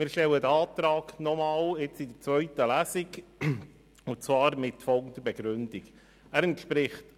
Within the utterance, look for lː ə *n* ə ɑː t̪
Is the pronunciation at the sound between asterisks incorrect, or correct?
incorrect: d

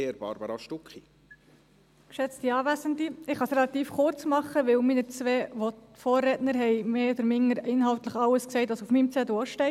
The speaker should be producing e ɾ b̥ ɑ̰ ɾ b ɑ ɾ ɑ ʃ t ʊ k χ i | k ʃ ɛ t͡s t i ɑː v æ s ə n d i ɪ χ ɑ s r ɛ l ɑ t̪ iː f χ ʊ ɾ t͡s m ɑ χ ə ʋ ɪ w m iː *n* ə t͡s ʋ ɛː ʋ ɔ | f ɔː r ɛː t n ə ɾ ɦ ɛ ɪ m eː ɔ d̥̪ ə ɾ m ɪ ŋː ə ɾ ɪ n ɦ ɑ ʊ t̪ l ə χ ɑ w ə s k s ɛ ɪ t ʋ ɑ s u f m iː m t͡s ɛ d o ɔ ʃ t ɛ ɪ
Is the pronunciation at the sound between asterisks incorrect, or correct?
correct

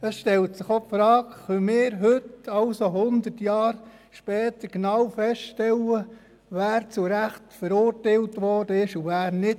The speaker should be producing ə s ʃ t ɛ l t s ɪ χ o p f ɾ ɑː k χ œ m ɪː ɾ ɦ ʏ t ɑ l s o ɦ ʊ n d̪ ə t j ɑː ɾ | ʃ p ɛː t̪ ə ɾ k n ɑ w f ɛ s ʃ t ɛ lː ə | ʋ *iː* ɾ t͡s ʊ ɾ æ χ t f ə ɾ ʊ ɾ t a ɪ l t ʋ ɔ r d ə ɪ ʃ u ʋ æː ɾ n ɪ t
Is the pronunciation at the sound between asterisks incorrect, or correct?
incorrect: æː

